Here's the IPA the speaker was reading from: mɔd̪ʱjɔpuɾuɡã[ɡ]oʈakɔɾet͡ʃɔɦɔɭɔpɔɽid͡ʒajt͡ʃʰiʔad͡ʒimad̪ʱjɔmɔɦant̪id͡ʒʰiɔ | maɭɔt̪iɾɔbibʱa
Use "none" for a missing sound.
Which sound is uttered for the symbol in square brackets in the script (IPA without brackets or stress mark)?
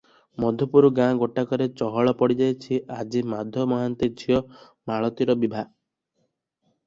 ɡ